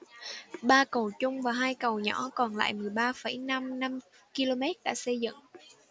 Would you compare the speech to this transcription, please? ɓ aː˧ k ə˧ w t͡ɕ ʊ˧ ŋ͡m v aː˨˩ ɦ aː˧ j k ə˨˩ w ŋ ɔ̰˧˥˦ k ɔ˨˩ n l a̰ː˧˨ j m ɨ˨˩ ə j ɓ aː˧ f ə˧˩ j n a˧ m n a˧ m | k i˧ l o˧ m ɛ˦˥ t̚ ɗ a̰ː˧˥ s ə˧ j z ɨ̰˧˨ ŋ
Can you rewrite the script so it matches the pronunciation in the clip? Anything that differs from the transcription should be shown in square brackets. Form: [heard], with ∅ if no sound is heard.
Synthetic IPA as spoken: ɓ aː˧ k [ə˨˩] w t͡ɕ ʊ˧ ŋ͡m v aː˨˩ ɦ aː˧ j k ə˨˩ w [ɲ] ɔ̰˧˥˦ k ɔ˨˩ n l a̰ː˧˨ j m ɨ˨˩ ə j ɓ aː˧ f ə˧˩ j n a˧ m n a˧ m | k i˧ l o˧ m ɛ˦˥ t̚ ɗ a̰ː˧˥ s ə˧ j z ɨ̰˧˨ ŋ